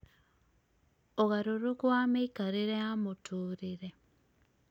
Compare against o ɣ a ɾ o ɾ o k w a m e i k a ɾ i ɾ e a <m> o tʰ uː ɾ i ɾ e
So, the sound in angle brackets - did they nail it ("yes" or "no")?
yes